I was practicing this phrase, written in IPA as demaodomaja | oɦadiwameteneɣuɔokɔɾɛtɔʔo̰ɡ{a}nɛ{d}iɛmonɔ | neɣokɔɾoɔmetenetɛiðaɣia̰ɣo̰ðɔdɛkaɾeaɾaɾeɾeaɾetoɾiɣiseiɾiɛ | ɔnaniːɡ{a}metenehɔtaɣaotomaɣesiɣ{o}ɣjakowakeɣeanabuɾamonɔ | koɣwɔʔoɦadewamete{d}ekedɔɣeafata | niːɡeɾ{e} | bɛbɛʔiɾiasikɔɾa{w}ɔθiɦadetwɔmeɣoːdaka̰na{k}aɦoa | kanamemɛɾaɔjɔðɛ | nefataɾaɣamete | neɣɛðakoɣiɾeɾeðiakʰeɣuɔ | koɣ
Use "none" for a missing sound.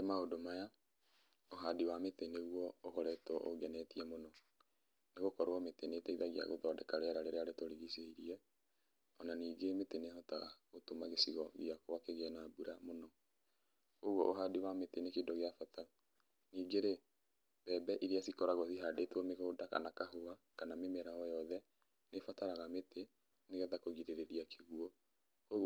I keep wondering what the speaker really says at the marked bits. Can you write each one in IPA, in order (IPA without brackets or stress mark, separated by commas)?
ɛ, t, e, ɔ, n, e, ɣ, k